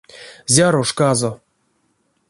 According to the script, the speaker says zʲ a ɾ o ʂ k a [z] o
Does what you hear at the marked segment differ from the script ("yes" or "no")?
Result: no